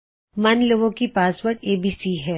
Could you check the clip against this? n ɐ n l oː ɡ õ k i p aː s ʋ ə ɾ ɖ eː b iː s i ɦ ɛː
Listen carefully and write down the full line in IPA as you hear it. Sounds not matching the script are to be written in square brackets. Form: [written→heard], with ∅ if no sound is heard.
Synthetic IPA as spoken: [n→m] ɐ n l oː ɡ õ k i p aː s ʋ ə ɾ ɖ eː b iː s i ɦ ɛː